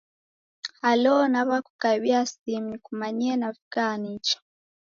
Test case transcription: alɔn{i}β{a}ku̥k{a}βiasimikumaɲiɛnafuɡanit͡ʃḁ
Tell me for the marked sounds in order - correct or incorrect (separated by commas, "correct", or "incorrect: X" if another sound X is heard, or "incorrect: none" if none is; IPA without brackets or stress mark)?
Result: incorrect: a, correct, correct